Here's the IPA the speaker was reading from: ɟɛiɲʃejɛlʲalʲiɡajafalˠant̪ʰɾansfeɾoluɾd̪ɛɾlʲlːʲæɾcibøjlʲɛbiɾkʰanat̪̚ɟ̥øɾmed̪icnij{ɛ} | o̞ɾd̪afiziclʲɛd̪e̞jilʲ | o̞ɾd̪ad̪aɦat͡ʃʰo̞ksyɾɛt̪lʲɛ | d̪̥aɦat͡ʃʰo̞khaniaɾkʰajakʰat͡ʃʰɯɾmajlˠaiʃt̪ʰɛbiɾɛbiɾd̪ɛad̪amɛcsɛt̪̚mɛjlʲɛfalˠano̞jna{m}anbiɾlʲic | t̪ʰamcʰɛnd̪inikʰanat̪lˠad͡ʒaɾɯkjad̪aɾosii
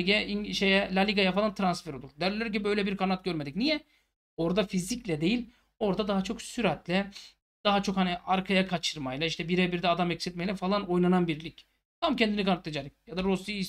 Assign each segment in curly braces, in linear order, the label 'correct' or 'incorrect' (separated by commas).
correct, incorrect